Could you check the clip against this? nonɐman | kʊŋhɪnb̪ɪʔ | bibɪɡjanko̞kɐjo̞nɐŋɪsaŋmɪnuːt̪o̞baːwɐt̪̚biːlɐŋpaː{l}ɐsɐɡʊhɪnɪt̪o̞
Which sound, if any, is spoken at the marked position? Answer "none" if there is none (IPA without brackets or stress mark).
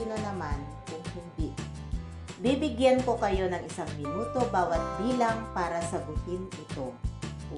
ɾ